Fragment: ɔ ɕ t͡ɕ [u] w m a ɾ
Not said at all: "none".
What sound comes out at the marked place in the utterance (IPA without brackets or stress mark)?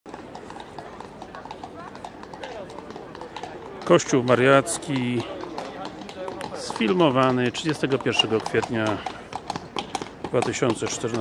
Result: u